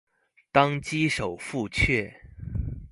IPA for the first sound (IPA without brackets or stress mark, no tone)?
t̪